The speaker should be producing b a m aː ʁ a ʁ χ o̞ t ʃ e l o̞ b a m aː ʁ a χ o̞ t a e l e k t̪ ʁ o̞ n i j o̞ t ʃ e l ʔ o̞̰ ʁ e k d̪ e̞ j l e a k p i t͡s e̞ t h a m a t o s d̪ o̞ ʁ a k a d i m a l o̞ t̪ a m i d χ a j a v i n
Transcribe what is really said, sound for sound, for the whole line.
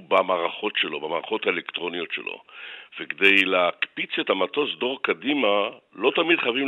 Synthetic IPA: b a m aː ʁ a χ o̞ t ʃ e l o̞ b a m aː ʁ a χ o̞ t a e l e k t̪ ʁ o̞ n i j o̞ t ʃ e l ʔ o̞̰ v e k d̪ e̞ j l e a k p i t͡s e̞ t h a m a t o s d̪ o̞ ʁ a k a d i m a l o̞ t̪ a m i d χ a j a v i m